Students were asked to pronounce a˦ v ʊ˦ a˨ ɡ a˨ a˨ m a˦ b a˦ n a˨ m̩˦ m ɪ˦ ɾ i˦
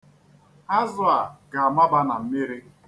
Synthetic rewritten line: a˦ z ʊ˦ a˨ ɡ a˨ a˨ m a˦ b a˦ n a˨ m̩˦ m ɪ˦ ɾ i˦